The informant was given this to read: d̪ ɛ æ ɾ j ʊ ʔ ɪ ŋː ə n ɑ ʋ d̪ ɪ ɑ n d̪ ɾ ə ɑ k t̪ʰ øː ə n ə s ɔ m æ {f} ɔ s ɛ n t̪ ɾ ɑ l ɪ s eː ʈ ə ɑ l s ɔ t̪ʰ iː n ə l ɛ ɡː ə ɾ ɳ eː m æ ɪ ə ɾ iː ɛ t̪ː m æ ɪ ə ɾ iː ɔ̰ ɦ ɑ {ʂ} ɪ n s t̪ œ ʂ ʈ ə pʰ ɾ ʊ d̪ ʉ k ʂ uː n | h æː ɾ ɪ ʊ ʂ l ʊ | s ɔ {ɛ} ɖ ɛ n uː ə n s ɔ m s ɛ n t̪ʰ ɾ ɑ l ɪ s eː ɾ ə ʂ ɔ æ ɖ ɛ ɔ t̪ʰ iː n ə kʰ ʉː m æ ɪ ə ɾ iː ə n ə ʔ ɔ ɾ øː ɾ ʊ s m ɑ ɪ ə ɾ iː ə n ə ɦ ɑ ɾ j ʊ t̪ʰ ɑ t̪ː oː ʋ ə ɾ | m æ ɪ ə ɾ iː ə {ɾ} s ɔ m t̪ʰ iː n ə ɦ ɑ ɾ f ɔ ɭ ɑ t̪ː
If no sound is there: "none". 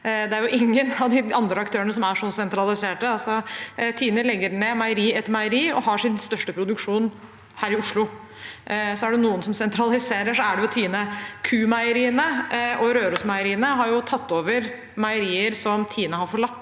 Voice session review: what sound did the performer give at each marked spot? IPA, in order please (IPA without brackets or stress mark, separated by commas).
ʂ, ʂ, æ, ɾ